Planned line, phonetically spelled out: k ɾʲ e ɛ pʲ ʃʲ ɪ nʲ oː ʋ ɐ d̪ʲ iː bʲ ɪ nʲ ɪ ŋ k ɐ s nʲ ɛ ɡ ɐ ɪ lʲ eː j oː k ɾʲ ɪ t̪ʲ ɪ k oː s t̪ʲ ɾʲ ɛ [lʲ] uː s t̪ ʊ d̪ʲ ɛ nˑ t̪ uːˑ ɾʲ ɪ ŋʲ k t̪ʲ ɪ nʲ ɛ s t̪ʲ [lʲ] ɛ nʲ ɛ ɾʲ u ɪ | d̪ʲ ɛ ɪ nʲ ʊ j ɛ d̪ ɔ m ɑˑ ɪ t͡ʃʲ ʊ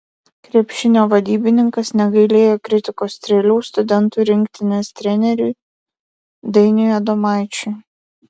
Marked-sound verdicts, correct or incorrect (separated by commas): correct, incorrect